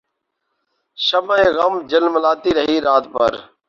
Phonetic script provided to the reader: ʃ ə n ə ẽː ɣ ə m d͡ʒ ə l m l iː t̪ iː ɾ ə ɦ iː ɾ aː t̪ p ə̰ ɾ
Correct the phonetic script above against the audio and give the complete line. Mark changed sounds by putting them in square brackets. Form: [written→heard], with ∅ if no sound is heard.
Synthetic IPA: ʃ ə [n→m] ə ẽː ɣ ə m d͡ʒ ə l m l [iː→aː] t̪ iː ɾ ə ɦ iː ɾ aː t̪ p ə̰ ɾ